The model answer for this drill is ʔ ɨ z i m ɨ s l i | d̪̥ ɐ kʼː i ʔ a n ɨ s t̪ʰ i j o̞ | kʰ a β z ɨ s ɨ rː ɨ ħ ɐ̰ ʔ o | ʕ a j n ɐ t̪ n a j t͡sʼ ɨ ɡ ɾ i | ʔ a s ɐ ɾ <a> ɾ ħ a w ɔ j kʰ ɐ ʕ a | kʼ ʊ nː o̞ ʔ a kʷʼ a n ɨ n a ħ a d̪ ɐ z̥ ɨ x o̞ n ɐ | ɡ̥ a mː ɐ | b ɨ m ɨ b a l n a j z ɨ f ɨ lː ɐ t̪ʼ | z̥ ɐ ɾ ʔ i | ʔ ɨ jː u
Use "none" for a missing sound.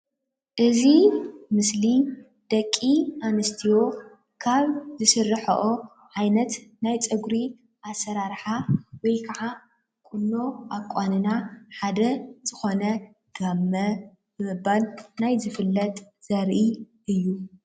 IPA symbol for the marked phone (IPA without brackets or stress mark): a